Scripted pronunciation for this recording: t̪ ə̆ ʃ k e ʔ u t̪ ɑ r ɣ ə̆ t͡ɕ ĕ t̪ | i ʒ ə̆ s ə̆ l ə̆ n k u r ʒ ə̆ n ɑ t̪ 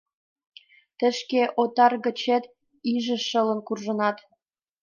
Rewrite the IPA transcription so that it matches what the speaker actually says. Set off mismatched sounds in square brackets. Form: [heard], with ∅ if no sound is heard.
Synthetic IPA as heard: t̪ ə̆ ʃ k e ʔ [o] t̪ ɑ r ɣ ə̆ t͡ɕ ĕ t̪ | i ʒ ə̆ [ʃ] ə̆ l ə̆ n k u r ʒ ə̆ n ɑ t̪